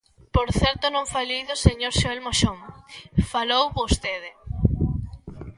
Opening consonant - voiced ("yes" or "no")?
no